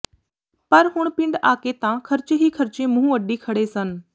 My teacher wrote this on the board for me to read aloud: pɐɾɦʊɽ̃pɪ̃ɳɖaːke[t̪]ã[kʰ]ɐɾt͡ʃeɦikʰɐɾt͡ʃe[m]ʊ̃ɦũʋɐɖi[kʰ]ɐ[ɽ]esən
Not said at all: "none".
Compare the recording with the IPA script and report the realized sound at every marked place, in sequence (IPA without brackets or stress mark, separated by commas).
t̪, kʰ, m, kʰ, ɽ